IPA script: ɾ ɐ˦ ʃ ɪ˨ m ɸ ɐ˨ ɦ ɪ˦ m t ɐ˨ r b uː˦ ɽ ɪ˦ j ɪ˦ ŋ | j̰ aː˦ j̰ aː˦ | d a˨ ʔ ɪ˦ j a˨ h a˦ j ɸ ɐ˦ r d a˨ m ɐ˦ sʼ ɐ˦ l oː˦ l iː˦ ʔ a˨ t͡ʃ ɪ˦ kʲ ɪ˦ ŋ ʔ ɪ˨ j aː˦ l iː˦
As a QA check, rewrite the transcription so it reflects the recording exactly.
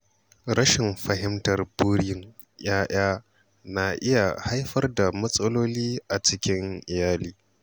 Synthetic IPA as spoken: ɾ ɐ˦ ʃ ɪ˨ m ɸ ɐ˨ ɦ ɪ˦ m t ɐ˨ r b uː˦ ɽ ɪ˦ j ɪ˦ ŋ | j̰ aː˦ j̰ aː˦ | n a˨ ʔ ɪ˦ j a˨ h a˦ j ɸ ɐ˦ r d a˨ m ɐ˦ sʼ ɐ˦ l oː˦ l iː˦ ʔ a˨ t͡ʃ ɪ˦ kʲ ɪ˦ ŋ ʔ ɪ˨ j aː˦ l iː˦